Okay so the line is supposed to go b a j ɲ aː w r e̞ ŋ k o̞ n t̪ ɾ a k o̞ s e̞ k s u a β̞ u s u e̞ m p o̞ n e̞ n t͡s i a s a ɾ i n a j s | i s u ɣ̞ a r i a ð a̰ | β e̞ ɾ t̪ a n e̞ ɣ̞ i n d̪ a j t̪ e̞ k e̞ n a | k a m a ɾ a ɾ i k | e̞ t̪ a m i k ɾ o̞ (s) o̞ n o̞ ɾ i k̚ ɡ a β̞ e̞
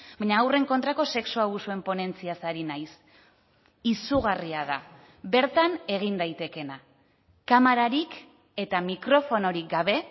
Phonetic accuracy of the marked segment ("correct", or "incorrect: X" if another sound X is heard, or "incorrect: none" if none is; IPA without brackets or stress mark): incorrect: f